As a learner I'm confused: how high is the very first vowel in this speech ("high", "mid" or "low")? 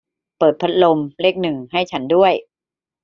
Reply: mid